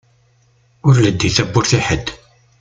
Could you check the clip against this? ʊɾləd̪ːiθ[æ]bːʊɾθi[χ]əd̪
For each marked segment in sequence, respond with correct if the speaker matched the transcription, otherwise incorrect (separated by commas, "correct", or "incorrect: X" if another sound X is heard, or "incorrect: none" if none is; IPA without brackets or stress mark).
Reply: correct, incorrect: ħ